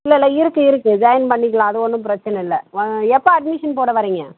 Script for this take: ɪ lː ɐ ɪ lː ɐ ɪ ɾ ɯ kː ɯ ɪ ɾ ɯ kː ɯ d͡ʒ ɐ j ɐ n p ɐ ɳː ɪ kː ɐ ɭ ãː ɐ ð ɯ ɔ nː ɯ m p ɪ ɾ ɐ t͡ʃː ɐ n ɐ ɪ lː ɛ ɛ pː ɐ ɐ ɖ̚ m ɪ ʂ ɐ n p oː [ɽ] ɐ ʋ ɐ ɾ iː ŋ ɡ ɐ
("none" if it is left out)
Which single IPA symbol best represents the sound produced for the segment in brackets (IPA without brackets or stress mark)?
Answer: ɽ